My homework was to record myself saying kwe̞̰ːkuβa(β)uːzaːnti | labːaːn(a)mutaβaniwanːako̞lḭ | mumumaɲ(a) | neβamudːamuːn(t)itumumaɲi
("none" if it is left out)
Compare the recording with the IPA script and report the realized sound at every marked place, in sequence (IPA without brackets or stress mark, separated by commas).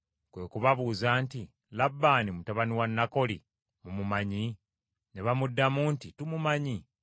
β, i, i, t